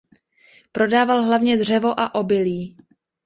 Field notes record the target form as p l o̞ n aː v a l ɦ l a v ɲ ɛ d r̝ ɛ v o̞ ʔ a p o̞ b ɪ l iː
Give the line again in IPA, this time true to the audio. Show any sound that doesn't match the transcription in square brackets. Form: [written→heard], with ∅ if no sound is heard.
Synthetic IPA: p [l→ɾ] o̞ [n→d] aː v a l ɦ l a v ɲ ɛ d r̝ ɛ v o̞ ʔ a [p→ʔ] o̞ b ɪ l iː